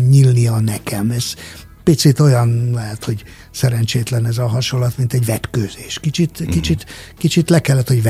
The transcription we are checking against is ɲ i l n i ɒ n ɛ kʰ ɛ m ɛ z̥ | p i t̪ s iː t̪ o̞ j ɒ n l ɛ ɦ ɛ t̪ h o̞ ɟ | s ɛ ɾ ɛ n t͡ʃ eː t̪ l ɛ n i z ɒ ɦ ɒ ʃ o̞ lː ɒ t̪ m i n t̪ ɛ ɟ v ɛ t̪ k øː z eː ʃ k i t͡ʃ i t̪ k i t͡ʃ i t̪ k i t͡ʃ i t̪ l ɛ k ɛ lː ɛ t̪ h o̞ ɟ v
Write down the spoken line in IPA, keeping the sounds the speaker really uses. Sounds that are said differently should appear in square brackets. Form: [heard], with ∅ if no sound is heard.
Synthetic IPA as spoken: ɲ i l n i ɒ n ɛ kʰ ɛ m ɛ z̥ | p i t̪ s [i] t̪ o̞ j ɒ n l ɛ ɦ ɛ t̪ h o̞ ɟ | s ɛ ɾ ɛ n t͡ʃ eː t̪ l ɛ n [ɛ] z ɒ ɦ ɒ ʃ o̞ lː ɒ t̪ m i n t̪ ɛ ɟ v ɛ t̪ k øː z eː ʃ k i t͡ʃ i t̪ k i t͡ʃ i t̪ k i t͡ʃ i t̪ l ɛ k ɛ lː ɛ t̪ h o̞ ɟ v